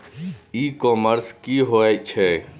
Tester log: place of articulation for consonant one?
velar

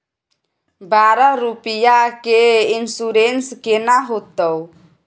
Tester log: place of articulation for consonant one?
labial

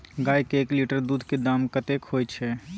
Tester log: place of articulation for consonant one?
velar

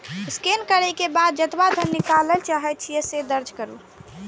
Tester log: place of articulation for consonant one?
alveolar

